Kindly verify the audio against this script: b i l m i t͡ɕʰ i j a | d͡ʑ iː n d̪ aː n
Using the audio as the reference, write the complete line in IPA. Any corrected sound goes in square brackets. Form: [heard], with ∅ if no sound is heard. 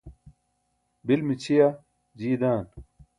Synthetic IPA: b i l m i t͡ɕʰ i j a | d͡ʑ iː [∅] d̪ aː n